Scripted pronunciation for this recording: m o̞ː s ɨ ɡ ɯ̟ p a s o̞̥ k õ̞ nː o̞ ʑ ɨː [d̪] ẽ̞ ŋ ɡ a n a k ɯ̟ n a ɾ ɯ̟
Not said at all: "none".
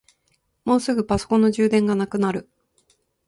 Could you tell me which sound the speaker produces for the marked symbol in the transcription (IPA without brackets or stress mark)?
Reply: d̪